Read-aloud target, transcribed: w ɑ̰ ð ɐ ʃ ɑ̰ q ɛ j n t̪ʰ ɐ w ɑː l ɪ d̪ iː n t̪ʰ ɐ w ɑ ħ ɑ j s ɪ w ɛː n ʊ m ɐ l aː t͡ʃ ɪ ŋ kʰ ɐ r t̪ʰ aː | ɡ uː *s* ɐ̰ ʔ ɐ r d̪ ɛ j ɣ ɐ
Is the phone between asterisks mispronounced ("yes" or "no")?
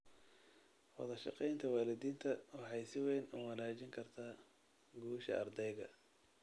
yes